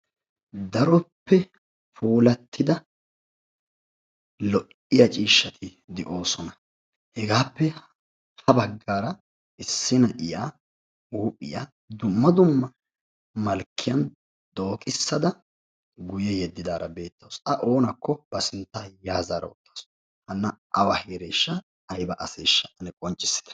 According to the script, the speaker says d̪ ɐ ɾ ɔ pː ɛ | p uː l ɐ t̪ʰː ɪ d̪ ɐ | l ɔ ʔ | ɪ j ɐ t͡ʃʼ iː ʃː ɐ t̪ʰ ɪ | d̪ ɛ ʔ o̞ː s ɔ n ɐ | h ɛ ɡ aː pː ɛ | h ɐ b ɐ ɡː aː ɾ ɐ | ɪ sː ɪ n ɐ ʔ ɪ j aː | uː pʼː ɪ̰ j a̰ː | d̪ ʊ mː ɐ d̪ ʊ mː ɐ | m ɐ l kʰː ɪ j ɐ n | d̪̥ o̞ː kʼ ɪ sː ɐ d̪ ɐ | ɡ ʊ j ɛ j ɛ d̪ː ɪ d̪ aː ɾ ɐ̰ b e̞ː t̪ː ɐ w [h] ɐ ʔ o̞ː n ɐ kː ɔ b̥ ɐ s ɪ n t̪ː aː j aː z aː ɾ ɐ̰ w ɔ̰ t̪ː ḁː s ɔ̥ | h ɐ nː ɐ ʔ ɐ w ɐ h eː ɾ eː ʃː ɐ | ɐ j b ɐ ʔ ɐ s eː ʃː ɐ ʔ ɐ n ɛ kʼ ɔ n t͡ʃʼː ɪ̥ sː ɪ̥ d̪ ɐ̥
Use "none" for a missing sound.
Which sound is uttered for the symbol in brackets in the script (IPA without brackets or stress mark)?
s